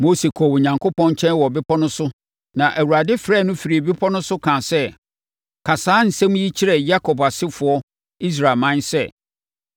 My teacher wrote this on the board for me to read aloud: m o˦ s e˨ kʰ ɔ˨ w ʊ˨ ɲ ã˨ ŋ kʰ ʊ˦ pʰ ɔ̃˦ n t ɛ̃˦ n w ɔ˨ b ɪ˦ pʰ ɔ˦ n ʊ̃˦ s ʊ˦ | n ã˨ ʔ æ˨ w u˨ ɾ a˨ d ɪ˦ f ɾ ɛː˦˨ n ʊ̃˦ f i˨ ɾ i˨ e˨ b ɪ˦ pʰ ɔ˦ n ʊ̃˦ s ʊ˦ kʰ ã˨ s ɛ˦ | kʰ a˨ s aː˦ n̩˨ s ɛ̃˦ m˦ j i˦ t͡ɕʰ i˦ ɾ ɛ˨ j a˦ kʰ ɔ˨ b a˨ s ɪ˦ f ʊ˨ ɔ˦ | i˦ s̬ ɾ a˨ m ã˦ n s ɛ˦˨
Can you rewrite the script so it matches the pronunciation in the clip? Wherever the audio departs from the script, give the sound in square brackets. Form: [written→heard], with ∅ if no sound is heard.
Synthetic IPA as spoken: m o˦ s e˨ kʰ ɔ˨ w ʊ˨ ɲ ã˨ ŋ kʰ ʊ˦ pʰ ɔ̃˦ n [t→t͡ɕʰ] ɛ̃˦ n w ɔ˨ b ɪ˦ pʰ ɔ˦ n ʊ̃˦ s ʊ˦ | n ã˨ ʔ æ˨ w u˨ ɾ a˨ d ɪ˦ f ɾ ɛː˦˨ n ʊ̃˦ f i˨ ɾ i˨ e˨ b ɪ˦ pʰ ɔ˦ n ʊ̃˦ s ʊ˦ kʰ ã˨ s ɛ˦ | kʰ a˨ s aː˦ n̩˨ s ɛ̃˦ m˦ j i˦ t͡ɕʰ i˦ ɾ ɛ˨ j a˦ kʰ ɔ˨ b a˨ s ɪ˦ f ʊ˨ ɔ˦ | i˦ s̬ ɾ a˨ m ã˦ n s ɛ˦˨